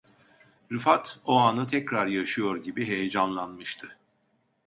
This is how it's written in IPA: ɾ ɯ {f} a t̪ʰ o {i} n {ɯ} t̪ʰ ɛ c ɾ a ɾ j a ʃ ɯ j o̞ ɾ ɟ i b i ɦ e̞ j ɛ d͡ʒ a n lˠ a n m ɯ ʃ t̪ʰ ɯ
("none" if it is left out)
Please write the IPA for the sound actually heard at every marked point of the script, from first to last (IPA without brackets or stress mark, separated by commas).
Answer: f, a, ɯ